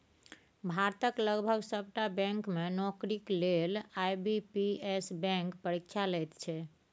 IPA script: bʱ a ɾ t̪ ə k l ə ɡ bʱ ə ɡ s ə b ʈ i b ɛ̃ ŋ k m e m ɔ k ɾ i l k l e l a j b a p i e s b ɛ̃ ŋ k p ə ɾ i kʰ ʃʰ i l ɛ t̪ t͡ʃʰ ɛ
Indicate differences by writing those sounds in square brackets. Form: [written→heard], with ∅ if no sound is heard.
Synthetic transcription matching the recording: bʱ a ɾ t̪ ə k l ə ɡ bʱ ə ɡ s ə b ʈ [i→a] b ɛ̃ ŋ k m e [m→n] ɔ k ɾ i [l→∅] k l e l a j b [a→i] p i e s b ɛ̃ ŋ k p ə ɾ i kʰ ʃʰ [i→a] l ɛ t̪ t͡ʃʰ ɛ